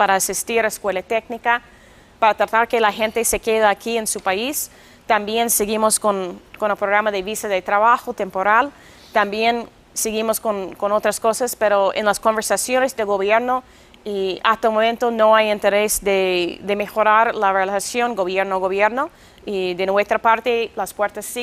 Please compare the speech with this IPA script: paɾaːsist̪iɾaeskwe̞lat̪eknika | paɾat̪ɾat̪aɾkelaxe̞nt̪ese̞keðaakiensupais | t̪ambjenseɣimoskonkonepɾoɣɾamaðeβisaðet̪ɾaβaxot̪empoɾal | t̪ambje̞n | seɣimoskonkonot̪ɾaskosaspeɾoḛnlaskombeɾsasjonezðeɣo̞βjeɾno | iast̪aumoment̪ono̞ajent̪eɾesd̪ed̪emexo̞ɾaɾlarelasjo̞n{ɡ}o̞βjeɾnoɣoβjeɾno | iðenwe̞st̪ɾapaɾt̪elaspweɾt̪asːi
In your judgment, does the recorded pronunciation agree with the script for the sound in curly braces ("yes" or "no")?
yes